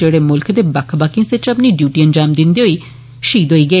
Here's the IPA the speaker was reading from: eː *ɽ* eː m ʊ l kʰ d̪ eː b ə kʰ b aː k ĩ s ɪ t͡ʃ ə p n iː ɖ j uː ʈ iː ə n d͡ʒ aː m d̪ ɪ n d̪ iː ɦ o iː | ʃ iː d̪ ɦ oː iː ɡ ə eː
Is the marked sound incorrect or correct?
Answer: correct